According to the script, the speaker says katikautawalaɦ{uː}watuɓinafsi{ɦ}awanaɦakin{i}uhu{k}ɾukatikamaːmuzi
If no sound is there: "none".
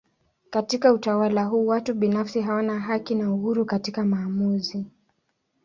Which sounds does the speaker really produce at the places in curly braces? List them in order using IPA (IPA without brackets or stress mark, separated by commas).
uː, ɦ, a, none